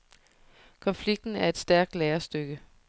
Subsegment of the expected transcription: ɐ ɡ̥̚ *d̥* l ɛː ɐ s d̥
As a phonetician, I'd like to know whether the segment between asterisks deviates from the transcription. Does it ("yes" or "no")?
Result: no